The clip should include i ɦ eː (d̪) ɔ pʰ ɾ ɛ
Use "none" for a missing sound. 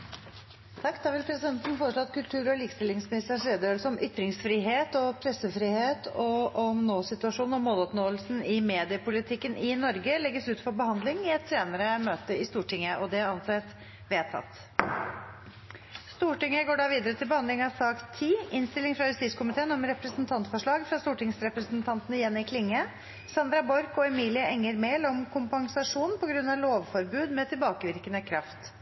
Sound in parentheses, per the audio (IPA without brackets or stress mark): t̪